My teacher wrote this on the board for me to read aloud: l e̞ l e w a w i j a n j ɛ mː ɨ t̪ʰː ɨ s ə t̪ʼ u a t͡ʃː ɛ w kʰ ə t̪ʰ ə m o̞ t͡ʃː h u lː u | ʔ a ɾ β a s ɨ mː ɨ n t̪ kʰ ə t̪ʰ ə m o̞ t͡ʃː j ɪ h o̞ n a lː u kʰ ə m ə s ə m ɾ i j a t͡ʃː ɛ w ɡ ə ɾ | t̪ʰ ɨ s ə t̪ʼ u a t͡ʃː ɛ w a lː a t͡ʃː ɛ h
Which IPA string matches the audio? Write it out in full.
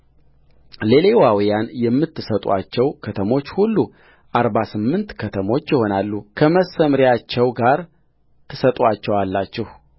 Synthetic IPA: l e̞ l e w a w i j a n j ɛ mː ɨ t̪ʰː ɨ s ə t̪ʼ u a t͡ʃː ɛ w kʰ ə t̪ʰ ə m o̞ t͡ʃː h u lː u | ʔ a ɾ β a s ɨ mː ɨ n t̪ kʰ ə t̪ʰ ə m o̞ t͡ʃː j ɪ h o̞ n a lː u kʰ ə m ə s ə m ɾ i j a t͡ʃː ɛ w ɡ a ɾ | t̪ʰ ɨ s ə t̪ʼ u a t͡ʃː ɛ w a lː a t͡ʃː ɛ h